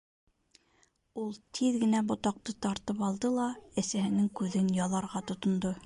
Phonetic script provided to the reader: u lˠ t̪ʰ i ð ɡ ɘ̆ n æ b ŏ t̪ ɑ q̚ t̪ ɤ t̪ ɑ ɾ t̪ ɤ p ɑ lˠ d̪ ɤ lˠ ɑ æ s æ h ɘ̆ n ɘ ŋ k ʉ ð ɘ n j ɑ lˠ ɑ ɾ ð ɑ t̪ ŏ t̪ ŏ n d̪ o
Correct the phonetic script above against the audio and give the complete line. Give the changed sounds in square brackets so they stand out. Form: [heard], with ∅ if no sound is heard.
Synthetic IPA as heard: u lˠ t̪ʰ i ð ɡ ɘ̆ n æ b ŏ t̪ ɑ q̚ t̪ ɤ t̪ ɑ ɾ t̪ ɤ p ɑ lˠ d̪ ɤ lˠ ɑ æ s æ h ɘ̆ n ɘ ŋ k ʉ ð ɘ n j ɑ lˠ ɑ ɾ [ʁ] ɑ t̪ ŏ t̪ ŏ n d̪ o